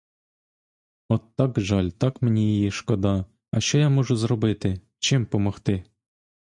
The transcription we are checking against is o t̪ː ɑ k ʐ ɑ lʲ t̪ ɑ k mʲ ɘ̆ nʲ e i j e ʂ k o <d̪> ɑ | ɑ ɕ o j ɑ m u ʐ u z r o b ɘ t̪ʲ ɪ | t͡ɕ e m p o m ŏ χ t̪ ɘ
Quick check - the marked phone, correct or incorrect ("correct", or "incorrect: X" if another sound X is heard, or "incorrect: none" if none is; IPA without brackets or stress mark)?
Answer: correct